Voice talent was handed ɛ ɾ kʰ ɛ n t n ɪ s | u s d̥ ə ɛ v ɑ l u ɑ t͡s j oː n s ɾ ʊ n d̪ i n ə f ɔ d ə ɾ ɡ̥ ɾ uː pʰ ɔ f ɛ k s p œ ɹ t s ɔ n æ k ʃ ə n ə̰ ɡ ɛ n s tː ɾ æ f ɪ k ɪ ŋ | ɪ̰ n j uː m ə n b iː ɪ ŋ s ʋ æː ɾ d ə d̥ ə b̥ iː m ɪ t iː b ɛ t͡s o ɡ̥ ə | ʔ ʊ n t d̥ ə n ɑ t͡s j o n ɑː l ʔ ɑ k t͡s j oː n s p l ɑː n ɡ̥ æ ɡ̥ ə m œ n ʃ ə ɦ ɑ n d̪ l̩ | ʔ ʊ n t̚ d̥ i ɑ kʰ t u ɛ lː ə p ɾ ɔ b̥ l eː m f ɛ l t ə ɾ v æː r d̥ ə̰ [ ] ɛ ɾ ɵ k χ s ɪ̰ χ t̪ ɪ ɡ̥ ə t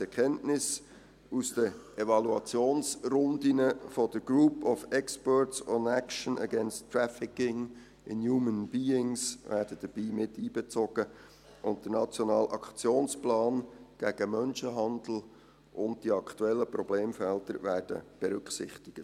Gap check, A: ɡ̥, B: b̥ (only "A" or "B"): B